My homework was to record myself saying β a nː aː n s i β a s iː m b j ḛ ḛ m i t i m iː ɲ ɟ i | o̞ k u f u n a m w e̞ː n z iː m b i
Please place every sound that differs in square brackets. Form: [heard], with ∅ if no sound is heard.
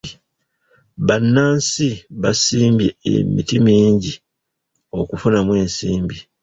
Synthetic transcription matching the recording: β a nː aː n s i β a s iː m b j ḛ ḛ m i t i m iː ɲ ɟ i | o̞ k u f u n a m w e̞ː n [s] iː m b i